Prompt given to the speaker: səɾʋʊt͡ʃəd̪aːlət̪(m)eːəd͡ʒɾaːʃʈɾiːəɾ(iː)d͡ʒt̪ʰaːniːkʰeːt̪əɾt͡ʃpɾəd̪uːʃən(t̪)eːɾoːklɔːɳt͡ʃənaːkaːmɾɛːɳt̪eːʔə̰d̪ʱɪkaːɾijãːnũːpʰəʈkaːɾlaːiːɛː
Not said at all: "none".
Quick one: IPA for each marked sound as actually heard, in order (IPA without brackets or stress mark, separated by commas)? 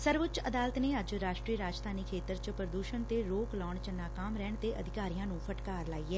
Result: n, aː, t̪